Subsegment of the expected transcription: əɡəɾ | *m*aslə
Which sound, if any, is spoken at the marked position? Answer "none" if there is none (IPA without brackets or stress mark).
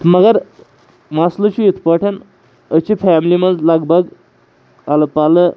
m